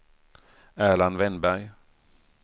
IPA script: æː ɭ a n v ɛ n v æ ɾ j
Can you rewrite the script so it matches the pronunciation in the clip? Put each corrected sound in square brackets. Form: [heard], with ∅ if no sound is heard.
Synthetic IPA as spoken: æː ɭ a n v ɛ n [b] æ ɾ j